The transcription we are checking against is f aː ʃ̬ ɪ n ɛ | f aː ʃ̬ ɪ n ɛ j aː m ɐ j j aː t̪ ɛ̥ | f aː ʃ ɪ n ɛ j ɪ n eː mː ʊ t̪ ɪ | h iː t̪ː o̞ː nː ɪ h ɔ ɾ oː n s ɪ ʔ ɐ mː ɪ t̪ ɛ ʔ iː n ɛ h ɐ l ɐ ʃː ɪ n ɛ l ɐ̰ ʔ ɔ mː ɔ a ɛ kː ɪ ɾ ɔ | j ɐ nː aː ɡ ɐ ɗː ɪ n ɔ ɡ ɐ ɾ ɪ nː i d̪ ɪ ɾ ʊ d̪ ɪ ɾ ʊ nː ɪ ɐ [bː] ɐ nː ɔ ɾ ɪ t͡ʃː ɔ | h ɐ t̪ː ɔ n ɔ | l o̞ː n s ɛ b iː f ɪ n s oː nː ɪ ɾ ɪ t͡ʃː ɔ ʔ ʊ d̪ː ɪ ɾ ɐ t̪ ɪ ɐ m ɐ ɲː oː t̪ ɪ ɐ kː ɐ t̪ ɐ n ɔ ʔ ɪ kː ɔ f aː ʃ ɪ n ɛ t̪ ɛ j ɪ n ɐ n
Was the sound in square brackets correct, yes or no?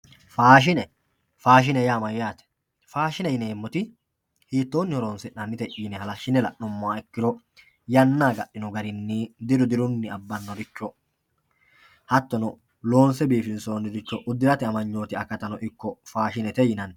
yes